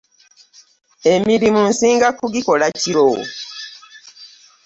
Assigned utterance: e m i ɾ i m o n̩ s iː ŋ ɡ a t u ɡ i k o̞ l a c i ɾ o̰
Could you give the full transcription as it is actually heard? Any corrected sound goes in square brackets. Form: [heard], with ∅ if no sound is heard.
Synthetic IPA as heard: e m i ɾ i m [u] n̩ s iː ŋ ɡ a [k] u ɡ i k o̞ l a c i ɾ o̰

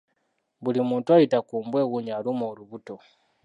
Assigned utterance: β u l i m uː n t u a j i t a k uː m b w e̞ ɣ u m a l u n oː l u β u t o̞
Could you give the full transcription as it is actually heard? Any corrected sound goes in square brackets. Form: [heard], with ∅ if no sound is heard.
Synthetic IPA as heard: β u l i m uː n t u a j i t a k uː m b w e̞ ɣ u [ɲ] a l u [m] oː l u β u t o̞

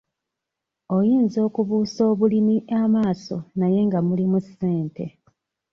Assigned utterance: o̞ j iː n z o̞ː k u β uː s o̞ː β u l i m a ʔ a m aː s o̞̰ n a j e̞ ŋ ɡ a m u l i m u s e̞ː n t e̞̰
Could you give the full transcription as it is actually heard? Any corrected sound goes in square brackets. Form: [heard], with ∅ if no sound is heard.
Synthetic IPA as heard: o̞ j iː n z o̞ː k u β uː s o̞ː β u l i m [i] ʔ a m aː s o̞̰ n a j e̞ ŋ ɡ a m u l i m u s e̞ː n t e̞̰

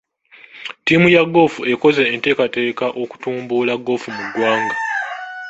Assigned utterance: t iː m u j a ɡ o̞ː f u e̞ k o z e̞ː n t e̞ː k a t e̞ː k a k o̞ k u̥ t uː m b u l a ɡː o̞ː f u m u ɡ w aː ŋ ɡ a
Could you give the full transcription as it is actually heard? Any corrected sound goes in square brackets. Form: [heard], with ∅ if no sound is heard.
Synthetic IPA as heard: t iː m u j a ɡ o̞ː f u e̞ k o z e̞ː n t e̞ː k a t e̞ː k a [ʔ] o̞ k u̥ t uː m b u l a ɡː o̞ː f u m u ɡ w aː ŋ ɡ a

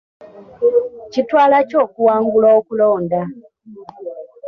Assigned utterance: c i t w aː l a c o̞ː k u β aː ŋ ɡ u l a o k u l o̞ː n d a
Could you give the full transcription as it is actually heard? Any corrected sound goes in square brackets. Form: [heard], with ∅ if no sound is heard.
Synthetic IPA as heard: c i t w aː l a c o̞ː k u [w] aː ŋ ɡ u l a o k u l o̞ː n d a

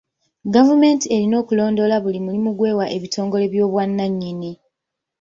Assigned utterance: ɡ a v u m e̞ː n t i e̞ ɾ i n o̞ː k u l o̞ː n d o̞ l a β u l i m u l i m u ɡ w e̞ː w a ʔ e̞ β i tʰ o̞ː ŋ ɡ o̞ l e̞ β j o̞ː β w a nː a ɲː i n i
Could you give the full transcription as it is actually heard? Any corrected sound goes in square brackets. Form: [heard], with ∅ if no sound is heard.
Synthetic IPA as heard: ɡ a v u m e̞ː n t i e̞ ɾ i n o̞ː k u l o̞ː n d o̞ l a β u l i m u l i m u ɡ w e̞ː w a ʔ e̞ β i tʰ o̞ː ŋ ɡ o̞ l e̞ β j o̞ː β w a nː a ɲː i n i

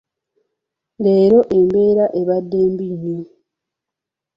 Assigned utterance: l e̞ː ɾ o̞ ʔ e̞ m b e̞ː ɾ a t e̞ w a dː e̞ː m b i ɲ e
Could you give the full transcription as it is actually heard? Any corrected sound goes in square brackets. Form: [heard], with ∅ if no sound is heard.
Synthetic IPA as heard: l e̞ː ɾ o̞ ʔ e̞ m b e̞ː ɾ a [ʔ] e̞ [β] a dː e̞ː m b i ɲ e

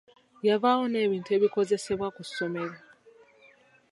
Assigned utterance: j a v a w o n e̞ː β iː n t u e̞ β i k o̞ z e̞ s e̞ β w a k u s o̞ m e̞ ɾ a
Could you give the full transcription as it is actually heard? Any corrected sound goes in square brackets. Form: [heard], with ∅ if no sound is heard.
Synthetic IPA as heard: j a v a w o n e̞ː β iː n t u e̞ β i k o̞ z e̞ s e̞ β w a k u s o̞ m e̞ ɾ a

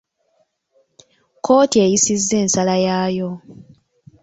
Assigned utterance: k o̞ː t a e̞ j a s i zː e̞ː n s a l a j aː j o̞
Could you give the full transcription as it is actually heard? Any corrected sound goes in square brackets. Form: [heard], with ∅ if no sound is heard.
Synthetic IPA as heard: k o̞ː t [i] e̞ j [i] s i zː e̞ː n s a l a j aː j o̞

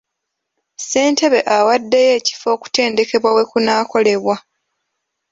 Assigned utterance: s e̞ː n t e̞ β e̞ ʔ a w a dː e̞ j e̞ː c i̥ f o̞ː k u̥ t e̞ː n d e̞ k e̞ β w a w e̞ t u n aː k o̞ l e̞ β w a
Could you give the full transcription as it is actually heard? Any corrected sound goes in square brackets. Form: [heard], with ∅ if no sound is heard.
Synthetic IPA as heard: s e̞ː n t e̞ β e̞ ʔ a w a dː e̞ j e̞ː c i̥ f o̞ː k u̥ t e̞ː n d e̞ k e̞ β w a w e̞ [k] u n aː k o̞ l e̞ β w a

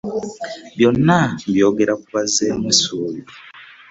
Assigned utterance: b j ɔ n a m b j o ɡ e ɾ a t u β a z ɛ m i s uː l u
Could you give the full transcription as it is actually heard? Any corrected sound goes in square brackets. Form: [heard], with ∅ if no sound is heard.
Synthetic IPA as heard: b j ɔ n a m b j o ɡ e ɾ a [k] u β a z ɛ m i s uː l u

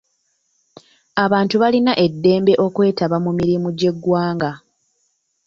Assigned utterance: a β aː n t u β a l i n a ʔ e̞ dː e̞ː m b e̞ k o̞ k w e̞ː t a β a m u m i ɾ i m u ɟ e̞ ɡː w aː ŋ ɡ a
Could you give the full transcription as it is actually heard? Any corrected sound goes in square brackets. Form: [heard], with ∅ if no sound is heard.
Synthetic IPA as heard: a β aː n t u β a l i n a ʔ e̞ dː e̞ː m b e̞ [ʔ] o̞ k w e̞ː t a β a m u m i ɾ i m u ɟ e̞ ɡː w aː ŋ ɡ a

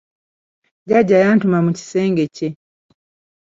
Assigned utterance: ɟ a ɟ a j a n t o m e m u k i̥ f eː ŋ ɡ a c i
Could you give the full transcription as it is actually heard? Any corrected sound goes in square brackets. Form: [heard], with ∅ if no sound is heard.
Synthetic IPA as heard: ɟ a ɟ a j a n t [u] m [a] m u [c] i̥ [s] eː ŋ ɡ [e] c [e]

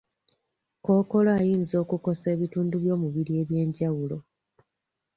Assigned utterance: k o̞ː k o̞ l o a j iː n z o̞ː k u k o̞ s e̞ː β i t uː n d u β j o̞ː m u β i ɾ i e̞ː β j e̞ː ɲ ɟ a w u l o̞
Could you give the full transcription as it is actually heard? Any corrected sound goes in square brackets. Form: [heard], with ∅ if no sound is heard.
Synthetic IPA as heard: k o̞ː k o̞ l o a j iː n z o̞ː k u k o̞ s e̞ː β i t uː n d u β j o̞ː m u β i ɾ i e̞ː β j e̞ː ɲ ɟ a w u l o̞

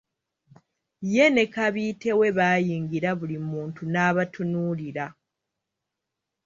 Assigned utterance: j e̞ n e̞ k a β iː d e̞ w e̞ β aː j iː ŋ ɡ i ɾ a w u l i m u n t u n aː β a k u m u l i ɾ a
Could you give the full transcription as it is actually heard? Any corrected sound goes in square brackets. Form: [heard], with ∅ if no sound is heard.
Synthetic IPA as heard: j e̞ n e̞ k a β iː [t] e̞ w e̞ β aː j iː ŋ ɡ i ɾ a [β] u l i m [uː] n t u n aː β a [t] u [n] u l i ɾ a

